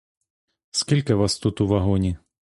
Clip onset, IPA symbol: s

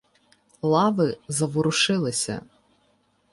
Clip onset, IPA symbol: lˠ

